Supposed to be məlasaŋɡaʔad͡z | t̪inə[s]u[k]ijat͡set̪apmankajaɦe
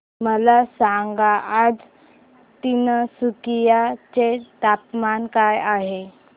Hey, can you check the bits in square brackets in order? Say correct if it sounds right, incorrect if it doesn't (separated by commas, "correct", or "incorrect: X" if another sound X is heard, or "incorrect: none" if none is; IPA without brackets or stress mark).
correct, correct